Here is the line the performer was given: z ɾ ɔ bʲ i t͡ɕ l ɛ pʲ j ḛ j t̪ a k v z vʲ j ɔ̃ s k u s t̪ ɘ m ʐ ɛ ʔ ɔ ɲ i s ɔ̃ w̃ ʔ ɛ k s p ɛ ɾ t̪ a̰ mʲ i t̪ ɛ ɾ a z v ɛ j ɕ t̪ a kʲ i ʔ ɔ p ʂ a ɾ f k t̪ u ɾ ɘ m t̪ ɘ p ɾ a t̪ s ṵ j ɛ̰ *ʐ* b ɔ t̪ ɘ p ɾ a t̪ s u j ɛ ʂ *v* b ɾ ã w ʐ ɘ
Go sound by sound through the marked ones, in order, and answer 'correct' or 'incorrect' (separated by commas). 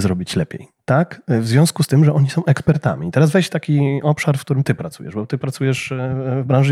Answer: correct, correct